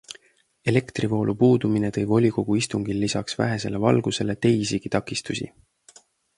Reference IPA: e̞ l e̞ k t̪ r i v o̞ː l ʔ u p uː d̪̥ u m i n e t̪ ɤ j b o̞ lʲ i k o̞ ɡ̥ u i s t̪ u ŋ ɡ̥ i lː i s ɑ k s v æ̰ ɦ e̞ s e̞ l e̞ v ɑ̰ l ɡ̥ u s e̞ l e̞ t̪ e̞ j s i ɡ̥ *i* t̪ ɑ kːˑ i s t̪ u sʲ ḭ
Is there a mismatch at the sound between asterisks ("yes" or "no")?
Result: no